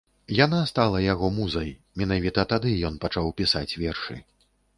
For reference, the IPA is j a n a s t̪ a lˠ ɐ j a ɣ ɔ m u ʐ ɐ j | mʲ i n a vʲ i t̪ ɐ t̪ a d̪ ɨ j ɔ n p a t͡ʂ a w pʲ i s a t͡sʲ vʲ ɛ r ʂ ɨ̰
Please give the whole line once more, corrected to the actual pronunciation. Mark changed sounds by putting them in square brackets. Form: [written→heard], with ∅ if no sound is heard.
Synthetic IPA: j a n a s t̪ a lˠ ɐ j a ɣ ɔ m u [ʐ→z] ɐ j | mʲ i n a vʲ i t̪ ɐ t̪ a d̪ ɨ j ɔ n p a t͡ʂ a w pʲ i s a t͡sʲ vʲ ɛ r ʂ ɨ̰